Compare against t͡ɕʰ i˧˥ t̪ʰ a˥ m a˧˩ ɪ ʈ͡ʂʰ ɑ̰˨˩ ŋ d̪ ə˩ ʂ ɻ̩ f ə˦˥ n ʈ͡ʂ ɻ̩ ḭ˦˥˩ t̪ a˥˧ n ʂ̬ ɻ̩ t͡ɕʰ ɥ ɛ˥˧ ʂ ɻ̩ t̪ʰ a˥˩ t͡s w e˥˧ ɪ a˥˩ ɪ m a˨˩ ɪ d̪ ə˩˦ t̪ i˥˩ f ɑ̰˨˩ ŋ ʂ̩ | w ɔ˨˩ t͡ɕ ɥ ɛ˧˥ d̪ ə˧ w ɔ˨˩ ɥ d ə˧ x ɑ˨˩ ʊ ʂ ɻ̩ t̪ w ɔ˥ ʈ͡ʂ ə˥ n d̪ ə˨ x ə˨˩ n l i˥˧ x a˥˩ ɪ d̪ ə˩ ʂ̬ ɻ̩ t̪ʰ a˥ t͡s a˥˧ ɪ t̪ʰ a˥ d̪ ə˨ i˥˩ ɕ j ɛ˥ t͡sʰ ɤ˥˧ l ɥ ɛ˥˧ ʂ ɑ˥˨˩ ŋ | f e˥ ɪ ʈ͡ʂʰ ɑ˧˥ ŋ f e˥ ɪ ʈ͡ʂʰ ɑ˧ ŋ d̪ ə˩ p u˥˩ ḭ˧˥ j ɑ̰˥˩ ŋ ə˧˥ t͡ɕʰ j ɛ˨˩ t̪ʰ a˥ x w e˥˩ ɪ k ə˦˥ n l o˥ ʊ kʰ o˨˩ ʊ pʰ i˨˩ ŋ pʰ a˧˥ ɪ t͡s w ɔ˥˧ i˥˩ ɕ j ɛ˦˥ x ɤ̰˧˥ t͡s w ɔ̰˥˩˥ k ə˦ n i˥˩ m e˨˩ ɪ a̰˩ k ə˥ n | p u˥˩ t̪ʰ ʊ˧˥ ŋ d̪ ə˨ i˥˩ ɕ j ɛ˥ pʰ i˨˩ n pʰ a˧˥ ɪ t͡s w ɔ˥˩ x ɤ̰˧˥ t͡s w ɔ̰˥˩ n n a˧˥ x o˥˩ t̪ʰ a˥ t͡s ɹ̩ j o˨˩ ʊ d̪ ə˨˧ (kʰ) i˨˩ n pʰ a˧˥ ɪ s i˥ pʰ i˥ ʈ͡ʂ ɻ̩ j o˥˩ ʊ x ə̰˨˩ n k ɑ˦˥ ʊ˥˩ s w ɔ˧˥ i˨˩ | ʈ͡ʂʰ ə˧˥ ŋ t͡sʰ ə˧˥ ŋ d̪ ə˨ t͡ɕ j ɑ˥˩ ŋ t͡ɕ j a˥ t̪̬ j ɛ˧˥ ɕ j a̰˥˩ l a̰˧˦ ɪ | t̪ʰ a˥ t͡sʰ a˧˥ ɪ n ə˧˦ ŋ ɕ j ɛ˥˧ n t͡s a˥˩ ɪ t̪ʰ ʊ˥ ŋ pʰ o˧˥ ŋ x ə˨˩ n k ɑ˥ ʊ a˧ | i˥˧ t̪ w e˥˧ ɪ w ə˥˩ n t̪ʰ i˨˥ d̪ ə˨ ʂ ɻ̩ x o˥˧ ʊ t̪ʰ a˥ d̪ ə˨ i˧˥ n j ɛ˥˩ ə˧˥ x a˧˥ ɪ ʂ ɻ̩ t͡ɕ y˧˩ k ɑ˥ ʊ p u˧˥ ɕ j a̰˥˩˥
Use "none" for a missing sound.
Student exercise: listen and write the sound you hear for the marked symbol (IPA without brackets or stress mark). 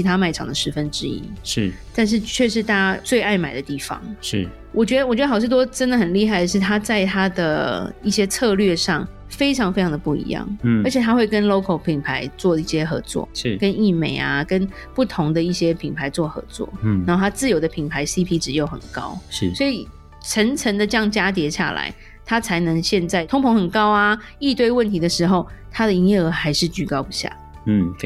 pʰ